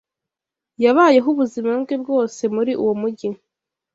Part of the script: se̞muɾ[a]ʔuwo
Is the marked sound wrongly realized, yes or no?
yes